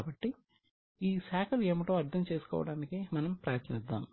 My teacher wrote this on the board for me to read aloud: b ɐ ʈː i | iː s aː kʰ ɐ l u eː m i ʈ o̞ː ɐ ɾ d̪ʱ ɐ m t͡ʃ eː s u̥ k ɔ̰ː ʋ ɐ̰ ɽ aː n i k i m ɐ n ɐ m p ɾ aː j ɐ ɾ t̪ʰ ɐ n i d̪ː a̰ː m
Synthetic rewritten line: b ɐ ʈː i | iː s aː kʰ ɐ l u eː m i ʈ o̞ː ɐ ɾ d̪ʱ ɐ m t͡ʃ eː s u̥ k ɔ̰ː ʋ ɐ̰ ɽ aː n i k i m ɐ n ɐ m p ɾ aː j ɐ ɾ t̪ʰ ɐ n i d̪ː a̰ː m